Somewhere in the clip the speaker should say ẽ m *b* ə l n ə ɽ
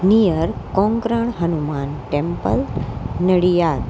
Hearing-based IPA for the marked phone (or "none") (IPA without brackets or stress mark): p